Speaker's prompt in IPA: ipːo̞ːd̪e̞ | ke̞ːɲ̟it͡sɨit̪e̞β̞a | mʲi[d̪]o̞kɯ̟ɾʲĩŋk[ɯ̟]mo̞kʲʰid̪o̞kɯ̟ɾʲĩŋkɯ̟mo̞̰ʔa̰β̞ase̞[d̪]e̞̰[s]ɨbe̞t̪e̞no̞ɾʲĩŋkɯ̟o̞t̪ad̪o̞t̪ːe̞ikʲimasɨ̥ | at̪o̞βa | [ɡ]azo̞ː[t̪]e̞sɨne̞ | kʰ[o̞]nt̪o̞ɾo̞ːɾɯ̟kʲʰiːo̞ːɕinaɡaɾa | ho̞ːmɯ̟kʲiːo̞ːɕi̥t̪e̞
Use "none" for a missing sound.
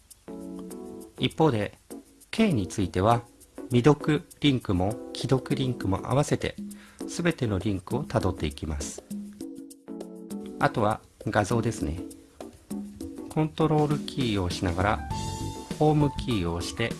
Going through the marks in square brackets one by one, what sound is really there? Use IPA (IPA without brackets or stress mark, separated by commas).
d̪, ɯ̟, t̪, s, ɡ, d̪, õ̞